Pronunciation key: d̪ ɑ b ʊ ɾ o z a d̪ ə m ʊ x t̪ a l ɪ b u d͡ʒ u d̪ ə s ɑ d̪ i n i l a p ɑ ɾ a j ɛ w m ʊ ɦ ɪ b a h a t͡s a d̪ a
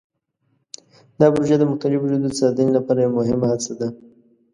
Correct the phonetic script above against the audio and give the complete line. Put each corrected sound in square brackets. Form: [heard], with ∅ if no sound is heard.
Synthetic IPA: d̪ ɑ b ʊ ɾ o [ʒ] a d̪ ə m ʊ x t̪ a l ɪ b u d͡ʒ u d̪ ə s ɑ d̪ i n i l a p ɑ ɾ a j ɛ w m ʊ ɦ ɪ [m] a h a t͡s a d̪ a